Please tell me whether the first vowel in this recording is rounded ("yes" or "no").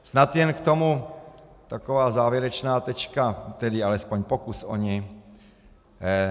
no